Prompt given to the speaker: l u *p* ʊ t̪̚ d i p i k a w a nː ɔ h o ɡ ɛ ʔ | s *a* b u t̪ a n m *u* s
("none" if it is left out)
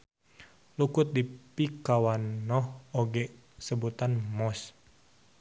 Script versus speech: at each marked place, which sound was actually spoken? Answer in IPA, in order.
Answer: k, ə, ɔ

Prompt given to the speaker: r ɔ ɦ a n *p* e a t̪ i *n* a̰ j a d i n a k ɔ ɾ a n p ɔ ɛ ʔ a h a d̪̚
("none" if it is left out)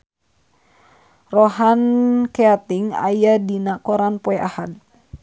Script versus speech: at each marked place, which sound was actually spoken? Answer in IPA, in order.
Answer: k, ŋ

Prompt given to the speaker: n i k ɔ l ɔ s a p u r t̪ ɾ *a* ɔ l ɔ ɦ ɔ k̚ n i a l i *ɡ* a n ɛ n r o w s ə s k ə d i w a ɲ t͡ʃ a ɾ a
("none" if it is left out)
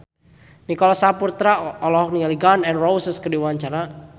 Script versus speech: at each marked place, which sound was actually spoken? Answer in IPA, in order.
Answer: a, ɡ

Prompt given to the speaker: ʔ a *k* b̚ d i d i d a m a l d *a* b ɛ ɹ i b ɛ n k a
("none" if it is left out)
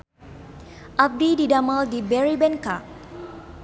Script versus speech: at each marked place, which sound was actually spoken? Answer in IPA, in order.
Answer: none, i

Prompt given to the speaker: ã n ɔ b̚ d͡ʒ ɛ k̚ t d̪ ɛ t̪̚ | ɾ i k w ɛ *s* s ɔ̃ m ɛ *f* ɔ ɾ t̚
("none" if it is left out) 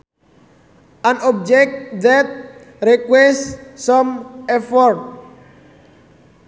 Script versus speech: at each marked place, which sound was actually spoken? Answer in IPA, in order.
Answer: s, f

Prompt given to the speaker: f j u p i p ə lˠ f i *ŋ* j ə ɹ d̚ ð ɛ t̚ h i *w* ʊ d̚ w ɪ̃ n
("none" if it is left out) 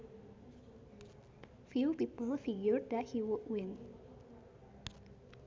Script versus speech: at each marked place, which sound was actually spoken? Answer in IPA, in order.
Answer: ɡ, w

